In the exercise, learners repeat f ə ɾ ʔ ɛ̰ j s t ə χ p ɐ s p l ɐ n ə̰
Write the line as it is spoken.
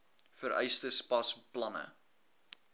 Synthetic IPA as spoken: f ə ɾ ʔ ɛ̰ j s t ə s p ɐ s p l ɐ n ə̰